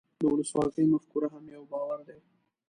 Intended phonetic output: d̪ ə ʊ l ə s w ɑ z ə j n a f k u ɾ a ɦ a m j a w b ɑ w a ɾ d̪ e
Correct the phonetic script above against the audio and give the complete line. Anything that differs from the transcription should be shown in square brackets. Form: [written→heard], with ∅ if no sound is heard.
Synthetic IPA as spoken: d̪ ə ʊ l ə s w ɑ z ə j [n→m] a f k u ɾ a ɦ a m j a w b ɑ w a ɾ d̪ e